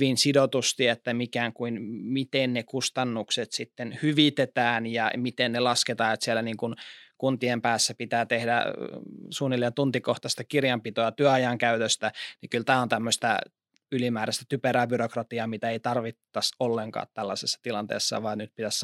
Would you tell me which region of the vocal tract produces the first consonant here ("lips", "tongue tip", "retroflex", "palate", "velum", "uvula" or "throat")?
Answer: lips